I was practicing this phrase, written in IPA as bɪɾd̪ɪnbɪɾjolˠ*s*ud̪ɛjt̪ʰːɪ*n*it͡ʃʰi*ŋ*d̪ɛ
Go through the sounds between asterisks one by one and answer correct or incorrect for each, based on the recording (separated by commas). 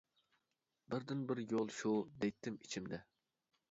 incorrect, incorrect, incorrect